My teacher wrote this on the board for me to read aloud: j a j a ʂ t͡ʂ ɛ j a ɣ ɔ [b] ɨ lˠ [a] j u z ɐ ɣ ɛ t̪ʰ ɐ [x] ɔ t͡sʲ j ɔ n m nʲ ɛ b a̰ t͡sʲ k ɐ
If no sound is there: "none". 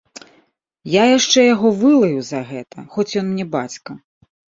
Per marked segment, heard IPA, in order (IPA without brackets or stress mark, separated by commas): v, ɐ, x